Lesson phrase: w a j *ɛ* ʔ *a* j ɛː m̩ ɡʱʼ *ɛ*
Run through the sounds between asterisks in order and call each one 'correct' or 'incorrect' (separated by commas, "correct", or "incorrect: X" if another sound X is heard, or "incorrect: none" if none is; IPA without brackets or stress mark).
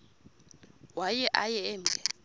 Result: correct, correct, correct